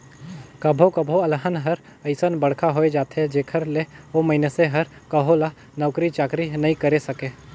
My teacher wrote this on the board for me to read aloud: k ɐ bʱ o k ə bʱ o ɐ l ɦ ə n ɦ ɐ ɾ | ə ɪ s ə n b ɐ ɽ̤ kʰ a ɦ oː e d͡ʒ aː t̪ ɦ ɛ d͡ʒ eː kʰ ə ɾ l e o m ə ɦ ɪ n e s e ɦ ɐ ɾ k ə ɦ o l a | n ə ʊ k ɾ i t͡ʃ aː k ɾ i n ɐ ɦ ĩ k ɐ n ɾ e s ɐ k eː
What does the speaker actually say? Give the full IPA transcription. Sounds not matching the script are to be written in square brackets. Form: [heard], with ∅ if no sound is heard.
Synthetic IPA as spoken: k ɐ bʱ o k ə bʱ o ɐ l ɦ ə n ɦ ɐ ɾ | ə ɪ s ə n b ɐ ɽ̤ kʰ a ɦ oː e d͡ʒ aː t̪ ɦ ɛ d͡ʒ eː kʰ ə ɾ l e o m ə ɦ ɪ n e s e ɦ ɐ ɾ k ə ɦ o l a | n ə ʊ k ɾ i t͡ʃ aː k ɾ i n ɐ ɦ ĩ k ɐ [∅] ɾ e s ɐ k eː

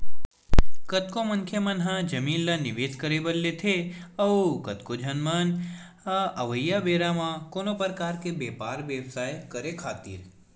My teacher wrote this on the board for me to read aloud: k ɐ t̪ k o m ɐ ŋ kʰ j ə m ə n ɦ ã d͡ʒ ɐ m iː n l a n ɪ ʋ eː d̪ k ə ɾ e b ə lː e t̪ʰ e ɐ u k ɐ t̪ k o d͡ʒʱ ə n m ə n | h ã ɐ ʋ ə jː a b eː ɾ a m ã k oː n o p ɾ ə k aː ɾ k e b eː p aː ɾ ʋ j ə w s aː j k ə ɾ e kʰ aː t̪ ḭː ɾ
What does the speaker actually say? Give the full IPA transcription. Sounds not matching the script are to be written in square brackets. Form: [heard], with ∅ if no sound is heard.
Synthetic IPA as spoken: k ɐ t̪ k o m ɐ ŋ kʰ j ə m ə n ɦ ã d͡ʒ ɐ m iː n l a n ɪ ʋ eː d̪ k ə ɾ e b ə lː e t̪ʰ e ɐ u k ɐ t̪ k o d͡ʒʱ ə n m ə n | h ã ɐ ʋ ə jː a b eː ɾ a m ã k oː n o p ɾ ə k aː ɾ k e b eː p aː ɾ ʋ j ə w s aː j k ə ɾ e kʰ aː t̪ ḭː ɾ

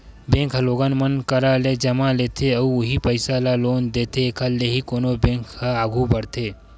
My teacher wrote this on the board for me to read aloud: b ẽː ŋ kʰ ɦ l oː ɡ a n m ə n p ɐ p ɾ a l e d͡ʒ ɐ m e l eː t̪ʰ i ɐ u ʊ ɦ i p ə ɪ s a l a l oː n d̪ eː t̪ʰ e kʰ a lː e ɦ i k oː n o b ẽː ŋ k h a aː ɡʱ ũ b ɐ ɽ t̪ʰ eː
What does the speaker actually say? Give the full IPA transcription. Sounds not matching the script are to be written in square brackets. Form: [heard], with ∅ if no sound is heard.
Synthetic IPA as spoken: b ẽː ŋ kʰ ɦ l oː ɡ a n m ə n [k] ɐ [∅] ɾ a l e d͡ʒ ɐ m [a] l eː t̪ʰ [e] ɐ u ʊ ɦ i p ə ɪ s a l a l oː n d̪ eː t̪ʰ e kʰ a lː e ɦ i k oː n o b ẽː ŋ k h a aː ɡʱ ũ b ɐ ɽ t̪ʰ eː

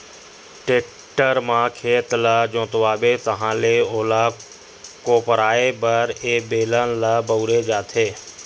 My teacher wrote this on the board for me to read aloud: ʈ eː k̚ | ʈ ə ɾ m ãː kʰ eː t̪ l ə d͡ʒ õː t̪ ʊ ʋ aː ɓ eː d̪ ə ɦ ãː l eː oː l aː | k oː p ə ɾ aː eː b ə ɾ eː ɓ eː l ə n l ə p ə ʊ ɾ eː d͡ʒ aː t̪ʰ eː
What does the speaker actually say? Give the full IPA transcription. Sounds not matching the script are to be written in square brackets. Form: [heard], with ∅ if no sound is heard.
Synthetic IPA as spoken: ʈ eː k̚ | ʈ ə ɾ m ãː kʰ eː t̪ l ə d͡ʒ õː t̪ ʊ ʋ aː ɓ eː [t̪] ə ɦ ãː l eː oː l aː | k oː p ə ɾ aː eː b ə ɾ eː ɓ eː l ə n l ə [b] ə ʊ ɾ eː d͡ʒ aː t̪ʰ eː

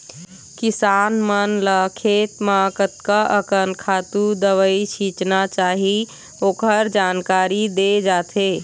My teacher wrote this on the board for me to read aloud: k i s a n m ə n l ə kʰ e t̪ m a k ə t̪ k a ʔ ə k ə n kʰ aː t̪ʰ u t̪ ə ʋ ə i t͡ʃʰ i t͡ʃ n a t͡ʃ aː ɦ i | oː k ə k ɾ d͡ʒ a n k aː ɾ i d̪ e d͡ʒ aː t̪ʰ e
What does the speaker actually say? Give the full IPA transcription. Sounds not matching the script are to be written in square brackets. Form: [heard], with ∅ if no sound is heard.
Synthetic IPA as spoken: k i s a n m ə n l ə kʰ e t̪ m a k ə t̪ k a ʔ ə k ə n kʰ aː [t̪] u [d̪] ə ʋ ə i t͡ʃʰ i t͡ʃ n a t͡ʃ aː ɦ i | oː k ə [∅] ɾ d͡ʒ a n k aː ɾ i d̪ e d͡ʒ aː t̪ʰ e

